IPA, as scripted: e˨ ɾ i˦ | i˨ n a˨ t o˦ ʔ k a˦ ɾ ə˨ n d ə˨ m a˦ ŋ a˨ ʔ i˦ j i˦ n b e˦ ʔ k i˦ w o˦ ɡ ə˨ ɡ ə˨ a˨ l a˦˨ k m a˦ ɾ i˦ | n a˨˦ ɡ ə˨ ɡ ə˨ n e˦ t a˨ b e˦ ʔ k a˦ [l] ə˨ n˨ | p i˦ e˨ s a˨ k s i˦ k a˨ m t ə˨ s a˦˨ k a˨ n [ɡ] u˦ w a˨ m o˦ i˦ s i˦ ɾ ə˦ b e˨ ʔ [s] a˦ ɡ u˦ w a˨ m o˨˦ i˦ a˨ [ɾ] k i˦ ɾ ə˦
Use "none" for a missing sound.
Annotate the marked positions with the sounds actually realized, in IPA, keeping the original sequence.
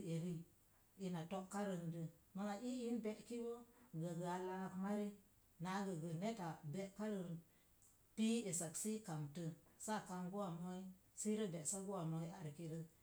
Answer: ɾ, ɡ, s, ɾ

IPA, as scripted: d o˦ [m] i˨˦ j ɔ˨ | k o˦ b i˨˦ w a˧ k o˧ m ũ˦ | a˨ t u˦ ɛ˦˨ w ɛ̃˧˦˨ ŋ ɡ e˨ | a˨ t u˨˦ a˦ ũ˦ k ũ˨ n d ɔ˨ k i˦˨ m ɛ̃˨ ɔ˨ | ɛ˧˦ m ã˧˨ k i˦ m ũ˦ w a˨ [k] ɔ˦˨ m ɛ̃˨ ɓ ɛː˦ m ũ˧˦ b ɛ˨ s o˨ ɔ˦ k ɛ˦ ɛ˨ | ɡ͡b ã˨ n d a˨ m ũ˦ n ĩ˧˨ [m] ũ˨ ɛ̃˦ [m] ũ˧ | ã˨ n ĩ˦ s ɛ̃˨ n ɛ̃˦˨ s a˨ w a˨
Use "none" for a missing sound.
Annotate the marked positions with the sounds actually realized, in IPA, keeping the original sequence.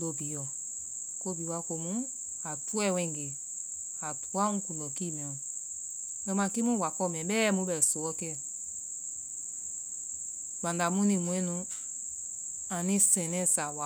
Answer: b, k, m, n

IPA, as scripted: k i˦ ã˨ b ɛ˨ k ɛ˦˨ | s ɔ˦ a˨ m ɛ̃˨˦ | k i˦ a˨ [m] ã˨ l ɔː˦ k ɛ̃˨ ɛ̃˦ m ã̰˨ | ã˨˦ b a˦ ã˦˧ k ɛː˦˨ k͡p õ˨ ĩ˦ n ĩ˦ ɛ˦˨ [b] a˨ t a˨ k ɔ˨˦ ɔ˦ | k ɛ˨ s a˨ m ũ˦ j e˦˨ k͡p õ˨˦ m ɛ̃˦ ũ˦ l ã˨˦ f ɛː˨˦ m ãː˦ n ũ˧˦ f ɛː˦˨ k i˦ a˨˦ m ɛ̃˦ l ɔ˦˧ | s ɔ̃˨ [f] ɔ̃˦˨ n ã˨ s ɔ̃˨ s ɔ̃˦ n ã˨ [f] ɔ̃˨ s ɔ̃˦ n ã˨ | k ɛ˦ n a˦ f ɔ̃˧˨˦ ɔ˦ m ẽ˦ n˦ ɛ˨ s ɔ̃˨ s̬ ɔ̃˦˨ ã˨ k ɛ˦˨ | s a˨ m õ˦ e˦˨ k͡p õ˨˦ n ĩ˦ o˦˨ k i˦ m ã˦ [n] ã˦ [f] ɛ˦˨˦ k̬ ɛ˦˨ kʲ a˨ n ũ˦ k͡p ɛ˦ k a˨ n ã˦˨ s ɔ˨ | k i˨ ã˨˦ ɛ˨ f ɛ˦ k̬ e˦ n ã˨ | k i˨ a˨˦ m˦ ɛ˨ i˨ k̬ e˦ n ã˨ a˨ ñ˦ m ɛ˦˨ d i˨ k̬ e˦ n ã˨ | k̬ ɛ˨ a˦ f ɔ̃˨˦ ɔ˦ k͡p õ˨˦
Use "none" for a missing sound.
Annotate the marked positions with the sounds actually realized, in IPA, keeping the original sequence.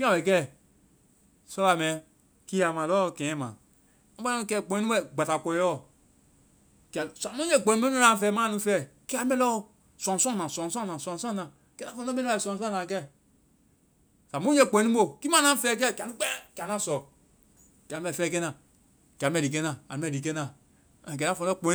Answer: m, ɡ͡b, s, s, n, f

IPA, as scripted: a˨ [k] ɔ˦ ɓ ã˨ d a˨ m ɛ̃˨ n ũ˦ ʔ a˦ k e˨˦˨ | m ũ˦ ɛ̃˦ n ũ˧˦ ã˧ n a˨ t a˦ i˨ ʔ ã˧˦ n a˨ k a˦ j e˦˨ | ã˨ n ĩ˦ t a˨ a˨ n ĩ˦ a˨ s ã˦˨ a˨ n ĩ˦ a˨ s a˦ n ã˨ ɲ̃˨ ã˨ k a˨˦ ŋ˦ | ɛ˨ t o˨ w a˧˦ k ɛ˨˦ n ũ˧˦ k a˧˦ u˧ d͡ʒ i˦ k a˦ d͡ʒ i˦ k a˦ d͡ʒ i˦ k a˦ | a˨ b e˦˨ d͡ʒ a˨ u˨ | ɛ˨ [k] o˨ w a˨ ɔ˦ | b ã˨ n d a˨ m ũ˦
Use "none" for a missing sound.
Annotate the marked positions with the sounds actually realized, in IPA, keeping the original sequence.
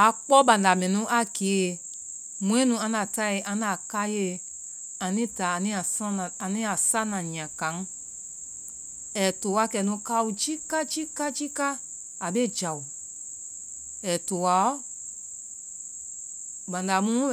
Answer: k͡p, t

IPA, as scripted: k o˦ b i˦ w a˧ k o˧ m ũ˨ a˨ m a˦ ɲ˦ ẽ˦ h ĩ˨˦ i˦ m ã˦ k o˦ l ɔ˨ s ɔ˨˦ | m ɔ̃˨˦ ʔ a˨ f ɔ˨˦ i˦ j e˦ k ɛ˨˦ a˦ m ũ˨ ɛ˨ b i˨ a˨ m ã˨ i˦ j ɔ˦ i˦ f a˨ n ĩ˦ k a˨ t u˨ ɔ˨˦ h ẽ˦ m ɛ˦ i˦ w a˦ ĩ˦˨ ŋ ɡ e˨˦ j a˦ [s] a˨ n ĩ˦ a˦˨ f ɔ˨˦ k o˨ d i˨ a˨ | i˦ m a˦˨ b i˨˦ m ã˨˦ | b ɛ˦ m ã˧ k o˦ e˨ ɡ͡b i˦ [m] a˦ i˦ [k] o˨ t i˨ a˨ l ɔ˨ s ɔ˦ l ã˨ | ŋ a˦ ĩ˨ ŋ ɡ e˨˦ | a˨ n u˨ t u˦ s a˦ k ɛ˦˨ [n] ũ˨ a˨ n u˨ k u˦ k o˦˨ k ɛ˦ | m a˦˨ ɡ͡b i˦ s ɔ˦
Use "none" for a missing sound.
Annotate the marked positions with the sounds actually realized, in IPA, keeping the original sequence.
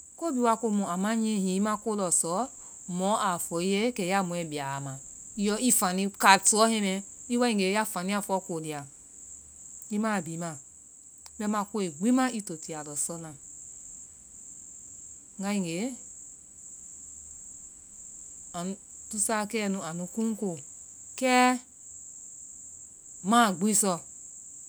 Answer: f, m, t, n

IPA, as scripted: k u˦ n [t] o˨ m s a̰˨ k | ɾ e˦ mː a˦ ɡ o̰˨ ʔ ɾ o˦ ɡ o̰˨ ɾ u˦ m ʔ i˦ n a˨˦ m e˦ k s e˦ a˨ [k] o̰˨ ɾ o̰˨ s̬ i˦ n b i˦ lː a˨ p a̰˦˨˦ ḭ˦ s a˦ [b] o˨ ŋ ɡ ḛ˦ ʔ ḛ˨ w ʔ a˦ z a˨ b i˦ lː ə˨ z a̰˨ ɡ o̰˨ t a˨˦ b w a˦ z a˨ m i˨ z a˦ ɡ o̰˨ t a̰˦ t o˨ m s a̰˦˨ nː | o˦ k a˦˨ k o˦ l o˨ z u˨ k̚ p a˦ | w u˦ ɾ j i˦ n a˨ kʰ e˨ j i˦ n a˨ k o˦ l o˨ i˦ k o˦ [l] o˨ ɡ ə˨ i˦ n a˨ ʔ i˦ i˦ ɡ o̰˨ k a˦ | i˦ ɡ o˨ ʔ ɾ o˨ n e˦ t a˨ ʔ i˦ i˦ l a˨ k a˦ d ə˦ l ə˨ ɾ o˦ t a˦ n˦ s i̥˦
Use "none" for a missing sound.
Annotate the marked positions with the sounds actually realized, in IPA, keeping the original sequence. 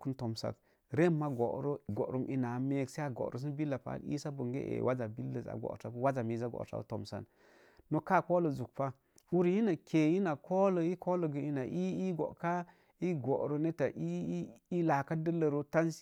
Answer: t, ɡ, b, l

